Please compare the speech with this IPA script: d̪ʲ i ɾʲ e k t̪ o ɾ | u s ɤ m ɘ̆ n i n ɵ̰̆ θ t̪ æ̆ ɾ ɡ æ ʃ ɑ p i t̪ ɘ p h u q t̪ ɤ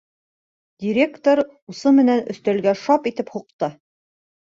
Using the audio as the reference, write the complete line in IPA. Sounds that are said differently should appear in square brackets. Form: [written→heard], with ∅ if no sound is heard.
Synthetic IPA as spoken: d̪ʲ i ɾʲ e k t̪ o ɾ | u s ɤ m ɘ̆ n [i→æ] n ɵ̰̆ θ t̪ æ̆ [ɾ→l] ɡ æ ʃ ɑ p i t̪ ɘ p h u q t̪ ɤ